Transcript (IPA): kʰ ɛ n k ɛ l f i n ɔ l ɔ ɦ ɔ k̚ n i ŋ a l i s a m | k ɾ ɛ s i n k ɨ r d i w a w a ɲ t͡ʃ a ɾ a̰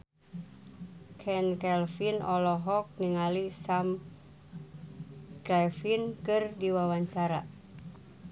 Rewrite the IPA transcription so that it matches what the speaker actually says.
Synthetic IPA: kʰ ɛ n k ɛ l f i n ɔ l ɔ ɦ ɔ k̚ n i ŋ a l i s a m | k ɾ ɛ f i n k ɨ r d i w a w a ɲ t͡ʃ a ɾ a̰